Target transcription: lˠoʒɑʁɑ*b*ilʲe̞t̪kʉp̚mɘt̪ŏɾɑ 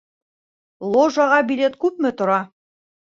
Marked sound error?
no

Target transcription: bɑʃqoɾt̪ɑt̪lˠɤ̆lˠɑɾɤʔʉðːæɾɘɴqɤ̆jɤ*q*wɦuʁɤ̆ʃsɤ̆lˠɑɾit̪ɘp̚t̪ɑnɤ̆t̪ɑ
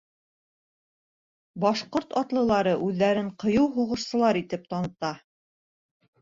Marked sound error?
yes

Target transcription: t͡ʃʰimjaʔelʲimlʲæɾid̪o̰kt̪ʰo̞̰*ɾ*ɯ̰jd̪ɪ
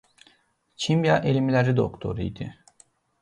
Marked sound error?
no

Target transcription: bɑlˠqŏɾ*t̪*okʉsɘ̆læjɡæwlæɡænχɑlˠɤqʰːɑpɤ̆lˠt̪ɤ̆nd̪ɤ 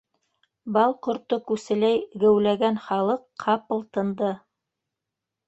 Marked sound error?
no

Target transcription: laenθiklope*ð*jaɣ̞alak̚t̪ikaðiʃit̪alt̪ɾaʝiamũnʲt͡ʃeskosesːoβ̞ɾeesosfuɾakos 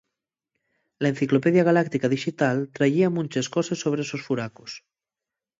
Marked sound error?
no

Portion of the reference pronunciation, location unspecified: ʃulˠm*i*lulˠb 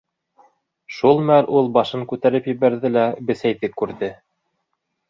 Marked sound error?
yes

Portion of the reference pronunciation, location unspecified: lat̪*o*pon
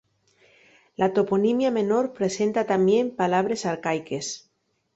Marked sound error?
no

